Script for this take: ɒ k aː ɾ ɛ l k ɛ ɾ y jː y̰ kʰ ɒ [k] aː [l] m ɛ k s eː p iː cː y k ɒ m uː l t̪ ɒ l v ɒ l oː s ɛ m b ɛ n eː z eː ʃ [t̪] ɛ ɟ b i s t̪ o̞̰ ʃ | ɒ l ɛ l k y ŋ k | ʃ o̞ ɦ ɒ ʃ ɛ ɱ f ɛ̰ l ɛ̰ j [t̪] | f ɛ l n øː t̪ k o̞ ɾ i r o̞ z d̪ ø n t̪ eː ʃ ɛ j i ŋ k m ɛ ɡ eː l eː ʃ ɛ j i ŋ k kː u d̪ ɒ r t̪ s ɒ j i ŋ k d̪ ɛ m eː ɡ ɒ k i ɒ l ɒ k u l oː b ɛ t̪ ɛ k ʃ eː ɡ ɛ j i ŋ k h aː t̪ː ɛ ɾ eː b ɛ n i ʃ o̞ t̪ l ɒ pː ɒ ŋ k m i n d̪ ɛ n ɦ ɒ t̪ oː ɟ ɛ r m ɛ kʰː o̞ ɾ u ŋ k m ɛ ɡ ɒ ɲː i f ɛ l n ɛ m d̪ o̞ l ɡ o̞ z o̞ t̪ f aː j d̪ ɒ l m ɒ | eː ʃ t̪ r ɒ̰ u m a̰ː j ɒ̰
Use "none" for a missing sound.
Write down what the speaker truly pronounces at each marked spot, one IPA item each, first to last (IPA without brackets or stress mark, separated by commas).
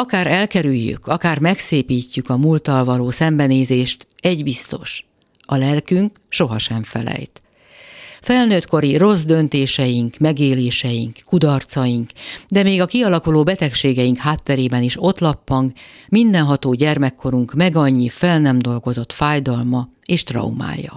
k, r, t̪, t̪